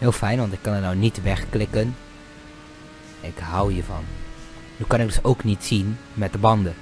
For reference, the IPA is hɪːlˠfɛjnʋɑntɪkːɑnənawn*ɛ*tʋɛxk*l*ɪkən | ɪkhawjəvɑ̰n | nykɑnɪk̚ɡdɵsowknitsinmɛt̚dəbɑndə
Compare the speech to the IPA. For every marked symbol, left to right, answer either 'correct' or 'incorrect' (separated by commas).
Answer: incorrect, correct